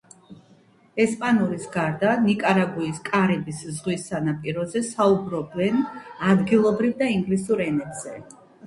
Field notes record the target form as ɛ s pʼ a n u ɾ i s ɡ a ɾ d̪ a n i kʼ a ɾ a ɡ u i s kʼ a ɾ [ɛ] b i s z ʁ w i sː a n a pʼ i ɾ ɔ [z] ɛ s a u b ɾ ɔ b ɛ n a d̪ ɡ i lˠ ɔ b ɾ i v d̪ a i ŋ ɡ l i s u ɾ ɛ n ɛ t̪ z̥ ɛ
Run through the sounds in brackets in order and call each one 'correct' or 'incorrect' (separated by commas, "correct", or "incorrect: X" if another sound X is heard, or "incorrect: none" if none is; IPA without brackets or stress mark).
correct, correct